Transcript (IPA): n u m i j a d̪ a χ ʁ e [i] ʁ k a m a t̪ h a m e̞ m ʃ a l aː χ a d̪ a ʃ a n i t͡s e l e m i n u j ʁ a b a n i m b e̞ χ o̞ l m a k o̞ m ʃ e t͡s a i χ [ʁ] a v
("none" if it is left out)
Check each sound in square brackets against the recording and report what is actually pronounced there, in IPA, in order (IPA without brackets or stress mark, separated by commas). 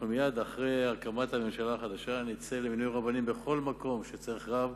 a, ʁ